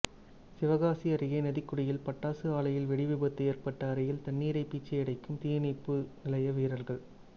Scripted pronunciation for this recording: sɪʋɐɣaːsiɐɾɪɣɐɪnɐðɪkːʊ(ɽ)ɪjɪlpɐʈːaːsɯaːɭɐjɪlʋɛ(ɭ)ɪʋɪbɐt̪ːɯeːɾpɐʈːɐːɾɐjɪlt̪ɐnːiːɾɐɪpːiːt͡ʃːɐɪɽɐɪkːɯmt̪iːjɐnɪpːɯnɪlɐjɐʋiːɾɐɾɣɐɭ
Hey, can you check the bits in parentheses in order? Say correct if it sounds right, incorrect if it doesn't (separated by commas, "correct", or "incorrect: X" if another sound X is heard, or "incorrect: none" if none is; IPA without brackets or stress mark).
correct, incorrect: ɽ